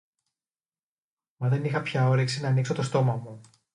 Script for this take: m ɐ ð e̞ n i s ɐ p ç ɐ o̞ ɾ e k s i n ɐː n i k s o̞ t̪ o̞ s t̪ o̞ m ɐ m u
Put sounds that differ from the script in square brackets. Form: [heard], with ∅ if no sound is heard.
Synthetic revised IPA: m ɐ ð e̞ n i [x] ɐ p ç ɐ o̞ ɾ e k s i n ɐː n i k s o̞ t̪ o̞ s t̪ o̞ m ɐ m u